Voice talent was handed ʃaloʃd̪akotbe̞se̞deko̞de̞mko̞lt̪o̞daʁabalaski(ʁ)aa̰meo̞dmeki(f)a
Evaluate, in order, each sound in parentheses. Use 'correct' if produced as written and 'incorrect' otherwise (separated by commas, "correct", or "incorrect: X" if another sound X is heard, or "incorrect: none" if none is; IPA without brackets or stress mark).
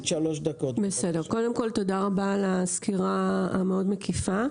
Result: correct, correct